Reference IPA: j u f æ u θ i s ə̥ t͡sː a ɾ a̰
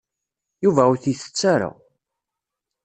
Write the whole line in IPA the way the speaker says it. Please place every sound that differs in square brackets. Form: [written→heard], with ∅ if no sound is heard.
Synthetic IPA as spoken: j u [f→v] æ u θ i [s→θ] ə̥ t͡sː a ɾ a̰